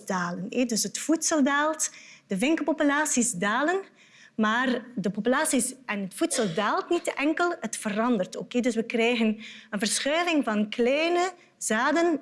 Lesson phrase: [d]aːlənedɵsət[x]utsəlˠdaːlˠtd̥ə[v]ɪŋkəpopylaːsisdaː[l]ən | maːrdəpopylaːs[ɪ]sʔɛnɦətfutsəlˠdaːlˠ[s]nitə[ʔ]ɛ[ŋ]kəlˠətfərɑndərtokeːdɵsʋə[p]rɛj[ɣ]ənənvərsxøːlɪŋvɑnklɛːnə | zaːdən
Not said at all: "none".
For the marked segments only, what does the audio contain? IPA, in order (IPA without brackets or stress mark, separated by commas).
d, f, v, l, i, t, ʔ, ŋ, k, ɣ